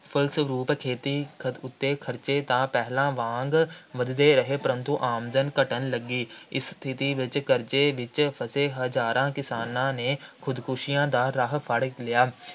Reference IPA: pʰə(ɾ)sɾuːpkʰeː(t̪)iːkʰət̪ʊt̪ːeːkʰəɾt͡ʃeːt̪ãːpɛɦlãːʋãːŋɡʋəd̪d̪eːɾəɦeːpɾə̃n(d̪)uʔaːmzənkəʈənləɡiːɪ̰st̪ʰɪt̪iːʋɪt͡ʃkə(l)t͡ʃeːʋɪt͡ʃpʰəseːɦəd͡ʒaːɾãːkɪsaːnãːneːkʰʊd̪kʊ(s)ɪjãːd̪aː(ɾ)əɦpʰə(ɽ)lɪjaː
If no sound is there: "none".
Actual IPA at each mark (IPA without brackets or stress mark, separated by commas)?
l, t̪, t̪, ɾ, ʃ, ɾ, ɽ